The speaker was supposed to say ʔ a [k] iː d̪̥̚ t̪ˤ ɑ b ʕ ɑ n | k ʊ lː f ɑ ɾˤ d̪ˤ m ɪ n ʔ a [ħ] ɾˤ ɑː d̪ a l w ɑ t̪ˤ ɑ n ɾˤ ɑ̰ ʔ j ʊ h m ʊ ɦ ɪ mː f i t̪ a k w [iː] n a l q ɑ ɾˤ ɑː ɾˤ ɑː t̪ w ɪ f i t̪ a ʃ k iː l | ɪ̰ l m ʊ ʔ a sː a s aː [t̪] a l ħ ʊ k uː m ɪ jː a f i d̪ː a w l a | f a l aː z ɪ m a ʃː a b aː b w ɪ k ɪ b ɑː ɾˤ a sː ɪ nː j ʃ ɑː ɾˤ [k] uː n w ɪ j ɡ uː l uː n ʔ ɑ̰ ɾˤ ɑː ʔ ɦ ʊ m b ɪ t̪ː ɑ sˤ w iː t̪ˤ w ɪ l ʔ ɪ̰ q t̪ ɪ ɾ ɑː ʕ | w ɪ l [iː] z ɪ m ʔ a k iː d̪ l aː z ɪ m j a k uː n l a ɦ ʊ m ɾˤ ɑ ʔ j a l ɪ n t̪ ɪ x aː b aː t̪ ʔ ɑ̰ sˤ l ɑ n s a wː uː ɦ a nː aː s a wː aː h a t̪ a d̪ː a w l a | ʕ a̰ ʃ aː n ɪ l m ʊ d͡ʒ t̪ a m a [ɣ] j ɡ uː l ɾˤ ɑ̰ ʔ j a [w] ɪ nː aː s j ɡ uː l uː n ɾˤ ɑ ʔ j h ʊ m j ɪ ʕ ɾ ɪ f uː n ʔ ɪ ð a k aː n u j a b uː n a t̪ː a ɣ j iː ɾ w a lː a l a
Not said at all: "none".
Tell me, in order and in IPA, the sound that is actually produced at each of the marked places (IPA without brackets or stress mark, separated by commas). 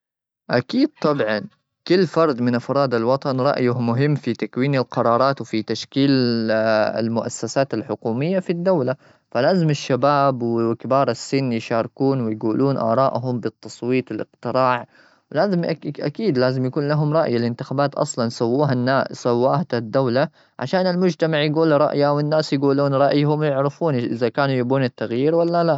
k, f, iː, t̪, k, aː, ʕ, w